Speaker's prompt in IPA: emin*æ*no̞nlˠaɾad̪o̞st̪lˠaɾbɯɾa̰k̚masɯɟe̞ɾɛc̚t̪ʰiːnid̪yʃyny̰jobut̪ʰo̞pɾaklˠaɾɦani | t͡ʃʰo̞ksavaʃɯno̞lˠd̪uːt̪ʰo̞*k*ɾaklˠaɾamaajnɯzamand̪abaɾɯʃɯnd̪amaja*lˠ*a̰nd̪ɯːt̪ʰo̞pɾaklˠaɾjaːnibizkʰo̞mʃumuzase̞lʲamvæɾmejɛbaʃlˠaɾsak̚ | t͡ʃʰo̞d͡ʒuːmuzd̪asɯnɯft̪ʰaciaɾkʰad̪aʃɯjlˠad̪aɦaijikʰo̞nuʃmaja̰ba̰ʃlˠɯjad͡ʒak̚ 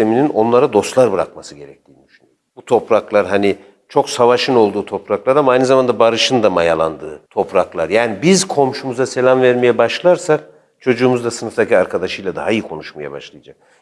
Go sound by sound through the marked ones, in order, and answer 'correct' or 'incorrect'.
incorrect: i, incorrect: p, correct

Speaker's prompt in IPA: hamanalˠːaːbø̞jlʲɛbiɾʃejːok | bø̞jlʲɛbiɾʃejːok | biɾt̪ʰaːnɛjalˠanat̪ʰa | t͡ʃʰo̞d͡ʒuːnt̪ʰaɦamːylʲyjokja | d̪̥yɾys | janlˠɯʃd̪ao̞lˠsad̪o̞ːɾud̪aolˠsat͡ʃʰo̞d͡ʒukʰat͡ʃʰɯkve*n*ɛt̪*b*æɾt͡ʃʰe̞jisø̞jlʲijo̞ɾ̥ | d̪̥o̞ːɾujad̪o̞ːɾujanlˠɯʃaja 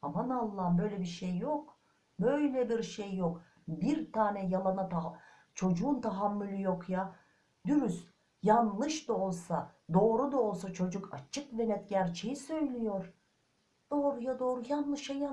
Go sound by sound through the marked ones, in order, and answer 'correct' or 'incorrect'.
correct, incorrect: ɟ

